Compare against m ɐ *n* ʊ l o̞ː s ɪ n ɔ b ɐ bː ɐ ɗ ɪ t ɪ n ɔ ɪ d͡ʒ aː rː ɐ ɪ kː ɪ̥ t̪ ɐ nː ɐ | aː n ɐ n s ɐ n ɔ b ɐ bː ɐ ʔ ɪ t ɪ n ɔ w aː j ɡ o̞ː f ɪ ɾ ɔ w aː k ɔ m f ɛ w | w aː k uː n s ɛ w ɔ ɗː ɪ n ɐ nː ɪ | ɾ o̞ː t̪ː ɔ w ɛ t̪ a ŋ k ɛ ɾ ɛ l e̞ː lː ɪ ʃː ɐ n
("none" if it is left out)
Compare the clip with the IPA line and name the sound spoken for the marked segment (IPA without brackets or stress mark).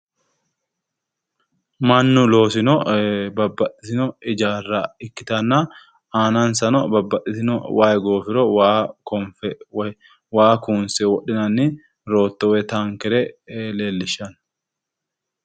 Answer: nː